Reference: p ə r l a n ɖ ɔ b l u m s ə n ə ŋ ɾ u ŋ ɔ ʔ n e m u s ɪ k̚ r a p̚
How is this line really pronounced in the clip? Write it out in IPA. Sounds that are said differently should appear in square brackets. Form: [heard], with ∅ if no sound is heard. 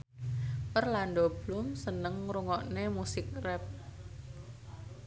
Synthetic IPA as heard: p ə r l a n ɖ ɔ b l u m s ə n ə ŋ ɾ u ŋ ɔ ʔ n e m u s ɪ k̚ r [ɛ] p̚